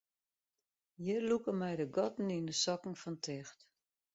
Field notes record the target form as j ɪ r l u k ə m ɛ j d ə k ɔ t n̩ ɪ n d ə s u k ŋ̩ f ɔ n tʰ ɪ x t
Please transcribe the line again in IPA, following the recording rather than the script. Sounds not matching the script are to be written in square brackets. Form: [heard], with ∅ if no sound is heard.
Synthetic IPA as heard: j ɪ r l u k ə m ɛ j d ə [ɡ] ɔ t n̩ [i] n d ə s [ɔ] k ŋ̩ f ɔ n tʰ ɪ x t